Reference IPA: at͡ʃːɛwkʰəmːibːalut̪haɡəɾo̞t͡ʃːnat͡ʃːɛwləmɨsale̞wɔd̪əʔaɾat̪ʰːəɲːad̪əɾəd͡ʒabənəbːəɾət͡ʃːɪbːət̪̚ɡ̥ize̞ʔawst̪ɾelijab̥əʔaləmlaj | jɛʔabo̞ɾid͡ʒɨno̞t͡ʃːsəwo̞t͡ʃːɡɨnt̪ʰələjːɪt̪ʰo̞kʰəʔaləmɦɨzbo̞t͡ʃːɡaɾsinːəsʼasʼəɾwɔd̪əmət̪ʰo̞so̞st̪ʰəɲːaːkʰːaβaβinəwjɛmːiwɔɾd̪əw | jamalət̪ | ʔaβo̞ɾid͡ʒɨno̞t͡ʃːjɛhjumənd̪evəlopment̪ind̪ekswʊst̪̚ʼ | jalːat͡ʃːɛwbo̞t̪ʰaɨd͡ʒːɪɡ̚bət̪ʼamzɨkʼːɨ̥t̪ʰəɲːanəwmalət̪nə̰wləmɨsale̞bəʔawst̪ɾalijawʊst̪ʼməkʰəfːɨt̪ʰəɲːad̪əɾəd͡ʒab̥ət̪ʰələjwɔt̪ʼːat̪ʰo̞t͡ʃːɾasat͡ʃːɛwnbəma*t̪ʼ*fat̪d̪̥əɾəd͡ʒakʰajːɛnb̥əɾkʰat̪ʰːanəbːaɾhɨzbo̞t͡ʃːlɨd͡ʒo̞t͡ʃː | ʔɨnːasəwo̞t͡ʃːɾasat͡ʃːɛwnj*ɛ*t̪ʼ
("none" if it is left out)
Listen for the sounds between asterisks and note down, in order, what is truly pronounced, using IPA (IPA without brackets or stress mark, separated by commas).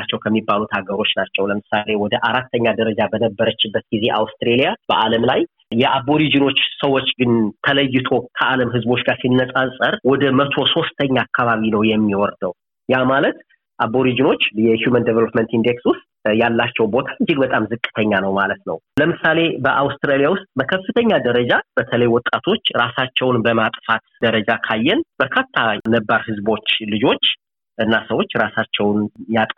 t̪ʼ, a